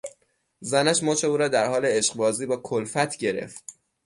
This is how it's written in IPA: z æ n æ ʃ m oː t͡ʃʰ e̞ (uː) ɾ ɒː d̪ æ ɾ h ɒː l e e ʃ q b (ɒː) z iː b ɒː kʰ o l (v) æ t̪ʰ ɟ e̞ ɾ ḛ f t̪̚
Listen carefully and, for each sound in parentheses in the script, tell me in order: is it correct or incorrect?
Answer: correct, correct, incorrect

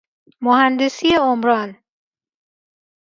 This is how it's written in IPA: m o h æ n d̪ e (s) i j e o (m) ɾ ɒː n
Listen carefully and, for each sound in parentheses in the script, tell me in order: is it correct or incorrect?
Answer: correct, correct

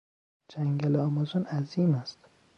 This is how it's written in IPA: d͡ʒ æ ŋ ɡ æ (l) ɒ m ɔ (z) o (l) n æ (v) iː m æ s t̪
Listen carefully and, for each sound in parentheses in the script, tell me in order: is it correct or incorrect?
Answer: correct, correct, incorrect, incorrect

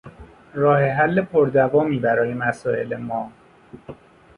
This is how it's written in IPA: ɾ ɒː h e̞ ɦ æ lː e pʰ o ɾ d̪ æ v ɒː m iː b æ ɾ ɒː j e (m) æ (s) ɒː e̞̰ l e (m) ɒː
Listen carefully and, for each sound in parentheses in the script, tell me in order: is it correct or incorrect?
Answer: correct, correct, correct

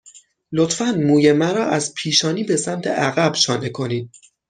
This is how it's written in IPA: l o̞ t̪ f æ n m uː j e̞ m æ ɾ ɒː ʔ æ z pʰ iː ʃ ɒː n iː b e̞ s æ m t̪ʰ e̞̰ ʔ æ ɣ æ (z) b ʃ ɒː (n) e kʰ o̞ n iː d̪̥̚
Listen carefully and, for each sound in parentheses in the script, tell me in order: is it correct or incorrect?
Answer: incorrect, correct

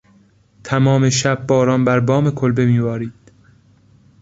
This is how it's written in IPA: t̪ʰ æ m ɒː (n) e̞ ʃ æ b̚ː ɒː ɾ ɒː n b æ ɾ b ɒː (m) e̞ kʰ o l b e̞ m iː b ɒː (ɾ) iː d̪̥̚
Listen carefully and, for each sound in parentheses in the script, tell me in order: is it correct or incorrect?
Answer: incorrect, correct, correct

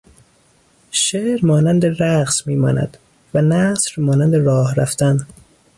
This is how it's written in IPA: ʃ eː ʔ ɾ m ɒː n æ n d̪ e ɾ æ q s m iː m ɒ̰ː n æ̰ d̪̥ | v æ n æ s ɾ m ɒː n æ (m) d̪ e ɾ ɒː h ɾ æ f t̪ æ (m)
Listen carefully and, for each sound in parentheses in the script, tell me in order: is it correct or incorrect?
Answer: incorrect, incorrect

